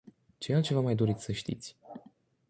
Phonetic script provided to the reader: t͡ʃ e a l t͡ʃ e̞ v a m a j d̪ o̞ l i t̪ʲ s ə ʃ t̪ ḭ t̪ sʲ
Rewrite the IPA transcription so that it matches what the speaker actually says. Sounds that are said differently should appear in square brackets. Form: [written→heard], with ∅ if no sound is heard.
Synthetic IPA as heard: t͡ʃ e a l t͡ʃ e̞ v a m a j d̪ o̞ [l→ɾ] i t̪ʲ s ə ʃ t̪ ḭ t̪ sʲ